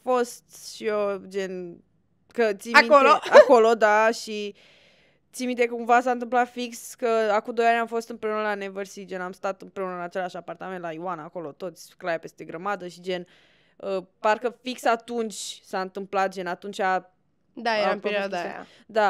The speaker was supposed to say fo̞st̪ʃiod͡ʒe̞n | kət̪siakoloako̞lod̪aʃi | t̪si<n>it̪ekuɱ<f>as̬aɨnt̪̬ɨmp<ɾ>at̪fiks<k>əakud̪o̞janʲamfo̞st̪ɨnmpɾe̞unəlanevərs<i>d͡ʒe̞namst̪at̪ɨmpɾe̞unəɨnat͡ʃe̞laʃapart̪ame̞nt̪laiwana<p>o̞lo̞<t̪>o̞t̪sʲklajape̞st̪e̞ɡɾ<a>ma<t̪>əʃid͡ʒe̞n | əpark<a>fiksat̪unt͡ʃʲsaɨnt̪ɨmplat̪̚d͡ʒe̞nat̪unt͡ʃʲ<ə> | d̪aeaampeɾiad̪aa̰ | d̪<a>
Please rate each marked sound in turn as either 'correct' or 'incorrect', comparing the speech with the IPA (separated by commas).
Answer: incorrect, incorrect, incorrect, correct, correct, incorrect, correct, incorrect, incorrect, incorrect, incorrect, correct